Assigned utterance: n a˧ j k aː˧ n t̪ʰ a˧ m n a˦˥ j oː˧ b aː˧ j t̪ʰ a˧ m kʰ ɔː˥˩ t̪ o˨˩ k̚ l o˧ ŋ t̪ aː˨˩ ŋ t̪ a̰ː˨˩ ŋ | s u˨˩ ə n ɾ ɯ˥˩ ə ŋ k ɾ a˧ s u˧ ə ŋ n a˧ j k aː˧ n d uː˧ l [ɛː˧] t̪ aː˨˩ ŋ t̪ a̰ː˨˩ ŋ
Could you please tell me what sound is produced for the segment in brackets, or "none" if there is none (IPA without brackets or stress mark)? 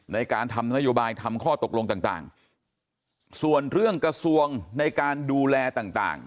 ɛː˧